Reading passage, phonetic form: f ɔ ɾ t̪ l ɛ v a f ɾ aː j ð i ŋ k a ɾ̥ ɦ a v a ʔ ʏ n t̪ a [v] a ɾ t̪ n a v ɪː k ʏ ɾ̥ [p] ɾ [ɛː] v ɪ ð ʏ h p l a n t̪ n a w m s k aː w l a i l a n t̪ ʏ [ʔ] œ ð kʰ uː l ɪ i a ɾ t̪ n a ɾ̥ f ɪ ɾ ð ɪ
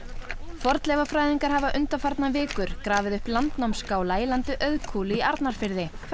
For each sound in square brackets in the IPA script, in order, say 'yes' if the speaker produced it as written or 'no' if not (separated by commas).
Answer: no, no, no, yes